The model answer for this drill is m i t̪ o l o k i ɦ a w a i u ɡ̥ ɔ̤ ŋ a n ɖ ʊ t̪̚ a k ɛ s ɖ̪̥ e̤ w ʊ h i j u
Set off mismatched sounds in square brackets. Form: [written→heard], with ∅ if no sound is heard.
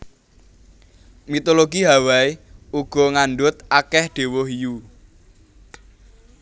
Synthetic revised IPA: m i t̪ o l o [k→ɡ] i ɦ a w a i u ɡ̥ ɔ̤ ŋ a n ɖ ʊ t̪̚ a k ɛ [s→h] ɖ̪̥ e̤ w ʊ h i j u